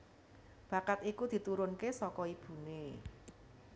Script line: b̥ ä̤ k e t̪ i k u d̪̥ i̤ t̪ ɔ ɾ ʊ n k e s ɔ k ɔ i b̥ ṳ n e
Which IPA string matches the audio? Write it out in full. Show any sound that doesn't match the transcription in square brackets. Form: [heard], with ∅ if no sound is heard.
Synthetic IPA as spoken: b̥ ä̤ k [a] t̪ i k u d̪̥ i̤ t̪ [u] ɾ ʊ n k e s ɔ k ɔ i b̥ ṳ n e